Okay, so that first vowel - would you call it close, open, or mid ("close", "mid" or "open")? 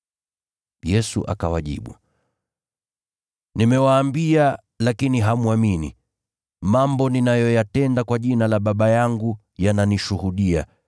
mid